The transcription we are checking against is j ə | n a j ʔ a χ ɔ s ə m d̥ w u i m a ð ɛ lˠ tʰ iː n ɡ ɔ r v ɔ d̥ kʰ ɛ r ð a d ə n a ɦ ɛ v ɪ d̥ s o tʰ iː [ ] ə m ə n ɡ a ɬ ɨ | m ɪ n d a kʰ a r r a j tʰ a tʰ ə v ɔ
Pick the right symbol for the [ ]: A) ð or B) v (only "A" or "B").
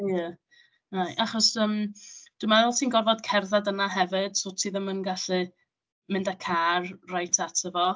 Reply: A